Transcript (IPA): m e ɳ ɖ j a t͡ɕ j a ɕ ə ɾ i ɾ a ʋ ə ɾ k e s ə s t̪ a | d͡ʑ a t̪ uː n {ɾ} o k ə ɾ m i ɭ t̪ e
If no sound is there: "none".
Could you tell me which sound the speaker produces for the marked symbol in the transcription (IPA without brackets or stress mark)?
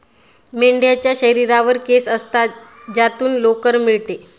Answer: l